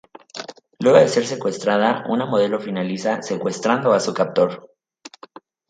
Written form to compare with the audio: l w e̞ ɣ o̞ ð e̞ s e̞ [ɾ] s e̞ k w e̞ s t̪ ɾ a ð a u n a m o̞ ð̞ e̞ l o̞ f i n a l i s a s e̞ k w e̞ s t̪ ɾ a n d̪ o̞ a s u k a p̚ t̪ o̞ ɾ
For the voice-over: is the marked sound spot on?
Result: yes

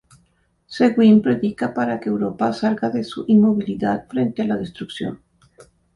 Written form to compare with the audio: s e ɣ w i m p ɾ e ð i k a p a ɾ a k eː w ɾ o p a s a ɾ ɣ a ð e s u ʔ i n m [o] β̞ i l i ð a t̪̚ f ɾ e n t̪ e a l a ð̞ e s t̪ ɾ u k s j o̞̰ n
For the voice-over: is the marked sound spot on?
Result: yes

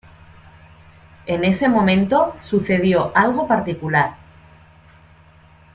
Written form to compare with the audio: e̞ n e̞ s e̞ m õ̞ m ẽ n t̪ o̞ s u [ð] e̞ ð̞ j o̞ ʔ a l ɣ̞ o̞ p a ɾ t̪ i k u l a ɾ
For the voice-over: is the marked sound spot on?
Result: no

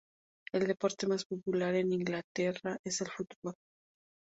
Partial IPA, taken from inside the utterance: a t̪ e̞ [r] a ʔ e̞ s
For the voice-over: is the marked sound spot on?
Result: yes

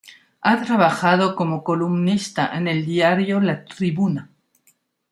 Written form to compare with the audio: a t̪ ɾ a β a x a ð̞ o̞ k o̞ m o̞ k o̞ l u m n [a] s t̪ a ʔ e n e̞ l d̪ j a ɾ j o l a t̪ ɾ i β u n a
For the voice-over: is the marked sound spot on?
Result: no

